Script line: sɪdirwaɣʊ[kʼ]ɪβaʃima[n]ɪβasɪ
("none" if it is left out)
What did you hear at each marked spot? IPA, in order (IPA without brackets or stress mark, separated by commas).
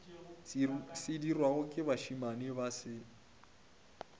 kʼ, n